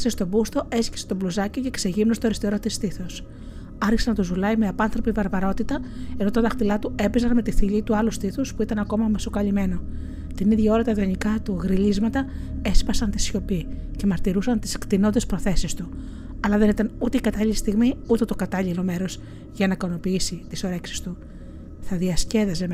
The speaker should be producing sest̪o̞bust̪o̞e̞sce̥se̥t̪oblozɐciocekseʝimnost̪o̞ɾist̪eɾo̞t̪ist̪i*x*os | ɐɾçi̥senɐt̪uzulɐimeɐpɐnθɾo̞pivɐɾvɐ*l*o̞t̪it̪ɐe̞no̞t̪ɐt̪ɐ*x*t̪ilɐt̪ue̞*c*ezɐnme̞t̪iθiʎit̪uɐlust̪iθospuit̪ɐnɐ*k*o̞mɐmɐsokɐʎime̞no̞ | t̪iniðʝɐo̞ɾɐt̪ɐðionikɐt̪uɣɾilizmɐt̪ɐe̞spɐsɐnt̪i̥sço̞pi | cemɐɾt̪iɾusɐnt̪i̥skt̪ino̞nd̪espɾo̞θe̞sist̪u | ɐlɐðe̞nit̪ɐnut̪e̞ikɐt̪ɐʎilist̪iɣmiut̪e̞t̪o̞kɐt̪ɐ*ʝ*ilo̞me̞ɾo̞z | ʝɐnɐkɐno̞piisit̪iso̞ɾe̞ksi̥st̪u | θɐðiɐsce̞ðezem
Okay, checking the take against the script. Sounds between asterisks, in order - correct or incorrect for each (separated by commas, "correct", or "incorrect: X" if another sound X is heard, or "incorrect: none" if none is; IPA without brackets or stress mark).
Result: incorrect: θ, incorrect: ɾ, correct, incorrect: p, correct, incorrect: ʎ